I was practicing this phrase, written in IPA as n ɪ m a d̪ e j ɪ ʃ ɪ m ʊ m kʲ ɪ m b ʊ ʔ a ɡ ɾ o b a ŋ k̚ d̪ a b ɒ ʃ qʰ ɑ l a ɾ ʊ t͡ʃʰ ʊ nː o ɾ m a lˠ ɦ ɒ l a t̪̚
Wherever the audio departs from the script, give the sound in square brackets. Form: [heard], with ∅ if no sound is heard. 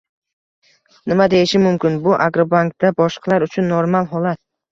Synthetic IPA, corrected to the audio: n ɪ m a d̪ e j ɪ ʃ ɪ m ʊ m kʲ ɪ [n] b ʊ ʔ a ɡ ɾ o b a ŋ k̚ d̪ a b ɒ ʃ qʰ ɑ l a ɾ ʊ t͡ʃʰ ʊ nː o ɾ m a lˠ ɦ ɒ l a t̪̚